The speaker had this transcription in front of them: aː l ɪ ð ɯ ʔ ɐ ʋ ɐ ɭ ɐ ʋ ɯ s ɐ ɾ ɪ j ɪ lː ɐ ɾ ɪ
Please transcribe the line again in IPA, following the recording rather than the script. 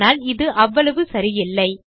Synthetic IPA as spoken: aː l ɪ ð ɯ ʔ ɐ ʋː ɐ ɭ ɐ ʋ ɯ s ɐ ɾ ɪ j ɪ lː ɐ ɪ

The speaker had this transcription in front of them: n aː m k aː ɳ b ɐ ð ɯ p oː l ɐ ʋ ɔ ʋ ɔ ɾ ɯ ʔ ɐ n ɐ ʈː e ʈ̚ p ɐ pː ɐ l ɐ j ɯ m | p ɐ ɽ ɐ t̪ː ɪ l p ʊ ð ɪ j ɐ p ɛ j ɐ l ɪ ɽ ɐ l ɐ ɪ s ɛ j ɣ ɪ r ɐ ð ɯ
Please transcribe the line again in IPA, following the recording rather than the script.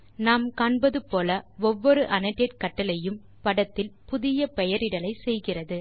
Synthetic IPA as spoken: n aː m k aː ɳ b ɐ ð ɯ p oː l ɐ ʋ ɔ ʋː ɔ ɾ ɯ ʔ ɐ n ɐ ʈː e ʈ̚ k ɐ ʈː ɐ l ɐ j ɯ m | p ɐ ɽ ɐ t̪ː ɪ l p ʊ ð ɪ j ɐ p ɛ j ɐ ɾ ɪ ɽ ɐ l ɐ ɪ s ɛ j ɣ ɪ r ɐ ð ɯ

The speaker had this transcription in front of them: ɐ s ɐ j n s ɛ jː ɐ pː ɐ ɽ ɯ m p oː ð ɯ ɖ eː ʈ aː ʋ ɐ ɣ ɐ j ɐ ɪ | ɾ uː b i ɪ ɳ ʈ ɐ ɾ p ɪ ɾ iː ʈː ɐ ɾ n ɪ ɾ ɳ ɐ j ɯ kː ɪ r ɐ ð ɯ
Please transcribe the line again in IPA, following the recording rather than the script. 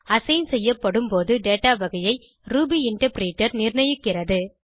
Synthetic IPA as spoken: ɐ s ɐ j n s ɛ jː ɐ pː ɐ ɽ ɯ m p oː ð ɯ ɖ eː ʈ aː ʋ ɐ ɣ ɐ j ɐ ɪ | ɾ uː b i ɪ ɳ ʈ ɐ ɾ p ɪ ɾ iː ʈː ɐ ɾ n ɪ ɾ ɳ ɐ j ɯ kː ɪ r ɐ ð ɯ

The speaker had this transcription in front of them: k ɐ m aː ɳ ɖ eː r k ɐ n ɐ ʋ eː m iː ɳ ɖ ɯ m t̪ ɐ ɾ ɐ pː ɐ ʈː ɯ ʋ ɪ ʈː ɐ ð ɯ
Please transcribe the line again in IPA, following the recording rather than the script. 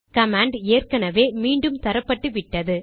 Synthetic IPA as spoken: k ɐ m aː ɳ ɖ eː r k ɐ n ɐ ʋ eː m iː ɳ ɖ ɯ m t̪ ɐ ɾ ɐ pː ɐ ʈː ɯ ʋ ɪ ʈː ɐ ð ɯ

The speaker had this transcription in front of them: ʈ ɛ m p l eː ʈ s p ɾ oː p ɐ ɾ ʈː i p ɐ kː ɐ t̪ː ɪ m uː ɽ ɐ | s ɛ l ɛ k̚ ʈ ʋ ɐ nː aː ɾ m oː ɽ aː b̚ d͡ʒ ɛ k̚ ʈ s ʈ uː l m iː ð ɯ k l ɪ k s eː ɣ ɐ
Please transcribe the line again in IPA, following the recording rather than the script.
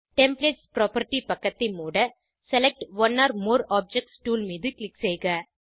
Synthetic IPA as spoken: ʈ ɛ m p l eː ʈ s p ɾ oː p ɐ ɾ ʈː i p ɐ kː ɐ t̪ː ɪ m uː ɽ ɐ | s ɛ l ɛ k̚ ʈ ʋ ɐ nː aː ɾ m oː ɾ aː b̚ d͡ʒ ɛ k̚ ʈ s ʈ uː l m iː ð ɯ k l ɪ k s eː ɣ ɐ

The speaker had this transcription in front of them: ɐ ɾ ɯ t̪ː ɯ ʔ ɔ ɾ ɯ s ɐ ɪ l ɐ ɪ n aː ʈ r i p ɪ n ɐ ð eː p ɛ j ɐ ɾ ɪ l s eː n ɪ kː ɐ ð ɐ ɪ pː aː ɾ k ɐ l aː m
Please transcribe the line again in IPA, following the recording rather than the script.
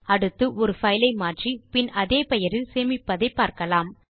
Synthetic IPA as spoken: ɐ ɽ ɯ t̪ː ɯ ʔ ɔ ɾ ɯ f ɐ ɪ l ɐ ɪ m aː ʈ r i p ɪ n ɐ ð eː p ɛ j ɐ ɾ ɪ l s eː m ɪ pː ɐ ð ɐ ɪ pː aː ɾ k ɐ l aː m

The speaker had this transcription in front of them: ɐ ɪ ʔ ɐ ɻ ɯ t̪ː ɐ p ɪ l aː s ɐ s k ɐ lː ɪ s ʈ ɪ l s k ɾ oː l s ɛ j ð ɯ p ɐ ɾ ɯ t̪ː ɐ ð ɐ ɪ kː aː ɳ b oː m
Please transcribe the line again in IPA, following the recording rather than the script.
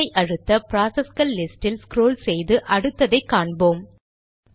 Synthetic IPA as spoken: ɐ ɪ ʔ ɐ ɻ ɯ t̪ː ɐ p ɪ ɾ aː s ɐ s k ɐ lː ɪ s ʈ ɪ l s k ɾ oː l s ɛ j ð ɯ ʔ ɐ ɽ ɯ t̪ː ɐ ð ɐ ɪ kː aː ɳ b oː m

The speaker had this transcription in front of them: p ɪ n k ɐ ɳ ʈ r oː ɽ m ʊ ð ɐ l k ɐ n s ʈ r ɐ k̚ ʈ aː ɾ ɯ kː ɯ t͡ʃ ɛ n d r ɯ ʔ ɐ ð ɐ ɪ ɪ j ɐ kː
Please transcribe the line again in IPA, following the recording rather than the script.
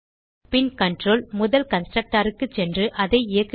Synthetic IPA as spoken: p ɪ n k ɐ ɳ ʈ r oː l m ʊ ð ɐ l k ɐ n s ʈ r ɐ k̚ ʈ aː ɾ ɯ kː ɯ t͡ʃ ɛ n d r ɯ ʔ ɐ ð ɐ ɪ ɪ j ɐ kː

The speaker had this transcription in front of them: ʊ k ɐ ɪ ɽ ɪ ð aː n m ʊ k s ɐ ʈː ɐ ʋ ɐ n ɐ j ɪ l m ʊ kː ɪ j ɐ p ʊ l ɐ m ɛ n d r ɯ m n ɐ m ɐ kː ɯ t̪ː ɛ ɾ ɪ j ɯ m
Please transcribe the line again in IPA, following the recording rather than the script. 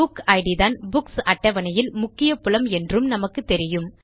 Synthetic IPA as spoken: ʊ k ɐ ɪ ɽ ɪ ð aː n b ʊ k s ɐ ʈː ɐ ʋ ɐ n ɐ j ɪ l m ʊ kː ɪ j ɐ p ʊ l ɐ m ɛ n d r ɯ m n ɐ m ɐ kː ɯ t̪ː ɛ ɾ ɪ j ɯ m

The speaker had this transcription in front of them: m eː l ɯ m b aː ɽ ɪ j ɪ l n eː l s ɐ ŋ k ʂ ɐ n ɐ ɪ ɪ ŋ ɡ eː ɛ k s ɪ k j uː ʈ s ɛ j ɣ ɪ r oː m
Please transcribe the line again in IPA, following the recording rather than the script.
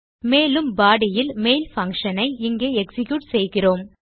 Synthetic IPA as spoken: m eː l ɯ m b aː ɽ ɪ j ɪ l m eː l f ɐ ŋ k ʂ ɐ n ɐ ɪ ɪ ŋ ɡ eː ɛ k s ɪ k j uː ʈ s ɛ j ɣ ɪ r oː m

